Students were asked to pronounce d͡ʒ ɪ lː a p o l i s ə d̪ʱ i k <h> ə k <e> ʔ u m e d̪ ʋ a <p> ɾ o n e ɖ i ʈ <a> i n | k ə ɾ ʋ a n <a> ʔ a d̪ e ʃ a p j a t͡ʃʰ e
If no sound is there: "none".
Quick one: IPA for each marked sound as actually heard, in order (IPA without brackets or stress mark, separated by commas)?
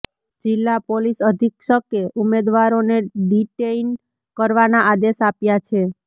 ʃ, e, none, e, a